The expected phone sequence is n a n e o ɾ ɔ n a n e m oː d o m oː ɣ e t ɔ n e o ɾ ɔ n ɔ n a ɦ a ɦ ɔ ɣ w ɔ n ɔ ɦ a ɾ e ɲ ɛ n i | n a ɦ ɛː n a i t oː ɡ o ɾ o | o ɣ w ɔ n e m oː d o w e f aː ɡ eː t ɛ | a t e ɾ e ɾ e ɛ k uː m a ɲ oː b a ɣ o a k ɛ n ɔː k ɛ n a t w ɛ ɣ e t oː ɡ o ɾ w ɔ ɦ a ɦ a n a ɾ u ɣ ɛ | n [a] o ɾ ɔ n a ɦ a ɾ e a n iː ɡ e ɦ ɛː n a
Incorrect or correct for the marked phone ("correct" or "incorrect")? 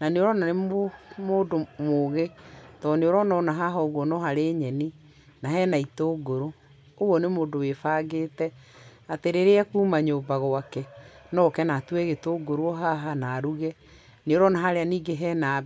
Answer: incorrect